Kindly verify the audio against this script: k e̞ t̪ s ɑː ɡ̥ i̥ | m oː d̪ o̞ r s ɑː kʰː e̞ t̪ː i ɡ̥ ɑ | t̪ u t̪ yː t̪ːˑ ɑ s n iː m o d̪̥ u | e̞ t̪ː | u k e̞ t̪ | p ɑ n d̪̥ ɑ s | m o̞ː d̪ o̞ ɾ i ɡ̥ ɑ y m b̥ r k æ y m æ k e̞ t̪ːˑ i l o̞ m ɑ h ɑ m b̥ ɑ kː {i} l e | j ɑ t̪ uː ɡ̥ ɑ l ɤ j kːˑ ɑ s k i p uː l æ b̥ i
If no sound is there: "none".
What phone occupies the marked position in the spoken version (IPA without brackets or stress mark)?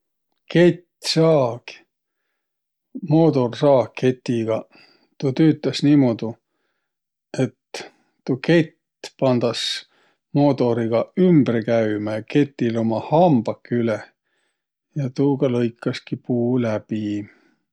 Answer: y